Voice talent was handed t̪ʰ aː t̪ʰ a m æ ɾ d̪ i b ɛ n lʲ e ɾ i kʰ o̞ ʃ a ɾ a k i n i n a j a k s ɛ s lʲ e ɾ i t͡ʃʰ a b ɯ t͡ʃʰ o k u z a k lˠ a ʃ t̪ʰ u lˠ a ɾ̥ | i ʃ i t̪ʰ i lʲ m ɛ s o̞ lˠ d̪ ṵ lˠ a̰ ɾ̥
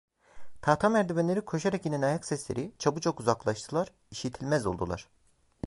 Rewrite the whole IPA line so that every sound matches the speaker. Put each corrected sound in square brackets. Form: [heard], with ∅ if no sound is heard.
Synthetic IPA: t̪ʰ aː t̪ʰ a m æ ɾ d̪ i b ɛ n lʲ e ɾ i kʰ o̞ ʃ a ɾ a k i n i n a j a k s ɛ s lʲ e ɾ i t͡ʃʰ a b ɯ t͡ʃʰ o k u z a k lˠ a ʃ t̪ʰ [ɯ] lˠ a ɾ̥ | i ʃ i t̪ʰ i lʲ m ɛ [z] o̞ lˠ d̪ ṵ lˠ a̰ ɾ̥